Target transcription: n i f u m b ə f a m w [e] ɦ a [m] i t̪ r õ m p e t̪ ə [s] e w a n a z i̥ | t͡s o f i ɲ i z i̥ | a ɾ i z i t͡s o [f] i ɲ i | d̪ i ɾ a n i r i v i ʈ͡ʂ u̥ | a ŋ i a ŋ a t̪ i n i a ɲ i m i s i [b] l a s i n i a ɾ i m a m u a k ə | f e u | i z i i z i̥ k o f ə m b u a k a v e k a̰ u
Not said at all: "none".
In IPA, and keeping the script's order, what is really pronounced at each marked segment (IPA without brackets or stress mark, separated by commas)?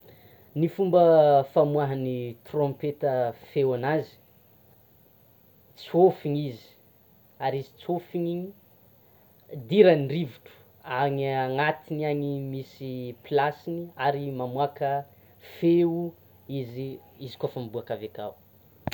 a, n, f, f, p